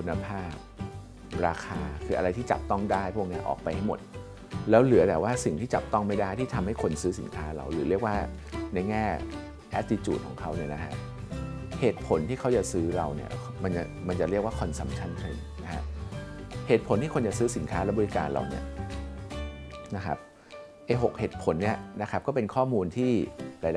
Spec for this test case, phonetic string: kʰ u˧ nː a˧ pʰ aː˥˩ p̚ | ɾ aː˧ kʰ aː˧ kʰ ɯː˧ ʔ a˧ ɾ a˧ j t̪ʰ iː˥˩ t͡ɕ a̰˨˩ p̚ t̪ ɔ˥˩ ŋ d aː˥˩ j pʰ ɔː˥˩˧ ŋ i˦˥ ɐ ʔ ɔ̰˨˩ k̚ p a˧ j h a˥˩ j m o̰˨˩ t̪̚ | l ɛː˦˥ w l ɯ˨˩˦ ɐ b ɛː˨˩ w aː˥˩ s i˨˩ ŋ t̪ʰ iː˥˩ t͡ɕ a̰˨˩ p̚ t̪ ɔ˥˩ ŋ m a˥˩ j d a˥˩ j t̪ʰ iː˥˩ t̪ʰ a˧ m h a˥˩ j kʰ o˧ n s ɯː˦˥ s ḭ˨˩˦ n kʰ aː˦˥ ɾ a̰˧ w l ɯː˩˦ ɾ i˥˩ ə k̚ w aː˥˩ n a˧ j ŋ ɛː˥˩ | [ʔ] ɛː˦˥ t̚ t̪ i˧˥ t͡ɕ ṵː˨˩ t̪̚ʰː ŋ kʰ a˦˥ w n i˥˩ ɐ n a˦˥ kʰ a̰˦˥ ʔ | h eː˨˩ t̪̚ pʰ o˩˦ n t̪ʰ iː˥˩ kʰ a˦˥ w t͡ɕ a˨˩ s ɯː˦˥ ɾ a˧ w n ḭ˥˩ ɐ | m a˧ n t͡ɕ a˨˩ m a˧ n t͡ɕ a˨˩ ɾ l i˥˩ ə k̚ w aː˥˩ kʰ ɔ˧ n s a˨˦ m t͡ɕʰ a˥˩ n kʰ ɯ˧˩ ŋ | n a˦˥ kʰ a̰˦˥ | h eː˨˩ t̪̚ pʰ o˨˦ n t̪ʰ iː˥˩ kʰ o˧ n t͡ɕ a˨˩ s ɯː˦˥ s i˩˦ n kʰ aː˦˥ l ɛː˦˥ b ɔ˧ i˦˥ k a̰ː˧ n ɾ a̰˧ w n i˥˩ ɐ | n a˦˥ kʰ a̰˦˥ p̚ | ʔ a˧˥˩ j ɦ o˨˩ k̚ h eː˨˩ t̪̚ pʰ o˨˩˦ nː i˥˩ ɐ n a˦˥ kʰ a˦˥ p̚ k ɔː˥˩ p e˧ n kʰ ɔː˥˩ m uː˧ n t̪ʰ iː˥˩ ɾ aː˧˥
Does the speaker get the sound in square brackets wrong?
no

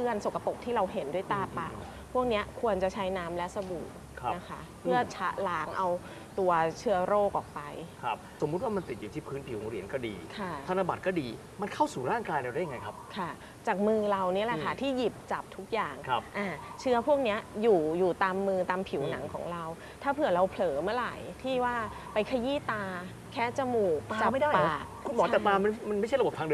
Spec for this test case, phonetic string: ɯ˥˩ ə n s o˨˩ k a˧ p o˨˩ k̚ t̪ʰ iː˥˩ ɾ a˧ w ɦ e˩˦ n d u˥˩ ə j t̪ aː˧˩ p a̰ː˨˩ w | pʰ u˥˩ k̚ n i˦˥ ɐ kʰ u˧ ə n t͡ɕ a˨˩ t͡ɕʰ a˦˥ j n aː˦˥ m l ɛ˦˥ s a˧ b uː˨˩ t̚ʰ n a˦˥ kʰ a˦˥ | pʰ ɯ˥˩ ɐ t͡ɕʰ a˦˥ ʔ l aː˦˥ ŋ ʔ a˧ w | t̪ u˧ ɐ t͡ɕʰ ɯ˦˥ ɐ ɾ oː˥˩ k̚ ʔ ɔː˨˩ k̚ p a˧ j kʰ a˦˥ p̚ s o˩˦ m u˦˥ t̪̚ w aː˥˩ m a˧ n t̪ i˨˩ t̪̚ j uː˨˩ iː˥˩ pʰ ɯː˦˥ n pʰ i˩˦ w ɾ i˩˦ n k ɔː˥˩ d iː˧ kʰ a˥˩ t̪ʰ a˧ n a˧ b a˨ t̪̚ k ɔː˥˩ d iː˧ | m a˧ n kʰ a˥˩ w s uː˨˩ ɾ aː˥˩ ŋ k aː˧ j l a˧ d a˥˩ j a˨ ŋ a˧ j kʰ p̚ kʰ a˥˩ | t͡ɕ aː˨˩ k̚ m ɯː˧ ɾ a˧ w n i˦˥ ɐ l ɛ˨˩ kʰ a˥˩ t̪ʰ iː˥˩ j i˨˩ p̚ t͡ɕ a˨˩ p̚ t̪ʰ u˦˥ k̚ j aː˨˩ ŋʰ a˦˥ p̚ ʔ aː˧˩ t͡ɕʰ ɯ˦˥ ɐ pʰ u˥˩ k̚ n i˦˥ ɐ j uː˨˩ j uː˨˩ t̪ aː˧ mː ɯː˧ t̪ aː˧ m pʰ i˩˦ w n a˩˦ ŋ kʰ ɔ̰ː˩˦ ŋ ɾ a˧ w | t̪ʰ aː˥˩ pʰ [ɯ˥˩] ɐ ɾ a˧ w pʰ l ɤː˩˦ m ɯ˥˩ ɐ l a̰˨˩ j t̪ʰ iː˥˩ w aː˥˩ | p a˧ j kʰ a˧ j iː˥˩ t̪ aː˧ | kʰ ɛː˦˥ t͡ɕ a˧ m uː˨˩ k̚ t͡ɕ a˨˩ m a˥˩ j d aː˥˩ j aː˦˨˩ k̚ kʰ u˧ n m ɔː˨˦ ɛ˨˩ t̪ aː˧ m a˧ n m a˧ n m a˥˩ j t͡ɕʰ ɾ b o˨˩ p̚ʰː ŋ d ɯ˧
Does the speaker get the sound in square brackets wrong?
yes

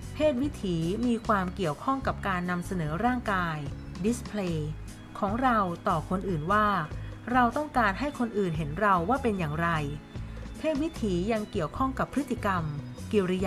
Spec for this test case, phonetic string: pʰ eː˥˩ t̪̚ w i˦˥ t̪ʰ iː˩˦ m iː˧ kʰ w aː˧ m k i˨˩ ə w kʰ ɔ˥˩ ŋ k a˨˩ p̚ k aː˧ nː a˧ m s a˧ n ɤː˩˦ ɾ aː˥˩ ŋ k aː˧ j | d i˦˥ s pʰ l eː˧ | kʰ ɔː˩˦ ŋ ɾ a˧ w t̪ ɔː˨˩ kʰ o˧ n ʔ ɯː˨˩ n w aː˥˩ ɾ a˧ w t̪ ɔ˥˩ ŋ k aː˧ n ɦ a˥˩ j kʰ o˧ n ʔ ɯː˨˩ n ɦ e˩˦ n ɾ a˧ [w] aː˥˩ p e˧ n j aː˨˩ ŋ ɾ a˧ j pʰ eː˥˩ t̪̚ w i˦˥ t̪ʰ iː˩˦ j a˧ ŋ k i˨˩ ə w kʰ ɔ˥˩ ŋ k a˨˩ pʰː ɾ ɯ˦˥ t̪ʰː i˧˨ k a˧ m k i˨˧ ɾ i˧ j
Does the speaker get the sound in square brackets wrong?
yes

